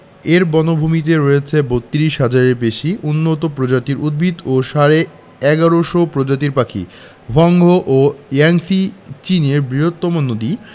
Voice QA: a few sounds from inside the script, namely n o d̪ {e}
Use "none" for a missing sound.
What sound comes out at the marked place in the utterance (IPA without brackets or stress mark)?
i